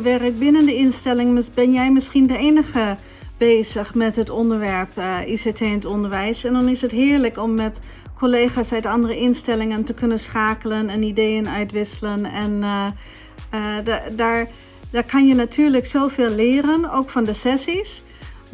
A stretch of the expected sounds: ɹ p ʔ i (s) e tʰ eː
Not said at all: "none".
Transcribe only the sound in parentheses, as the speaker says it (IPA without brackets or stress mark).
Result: s